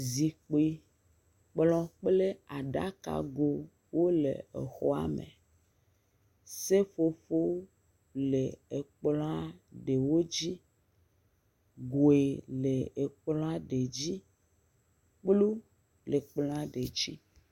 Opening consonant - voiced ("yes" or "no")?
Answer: yes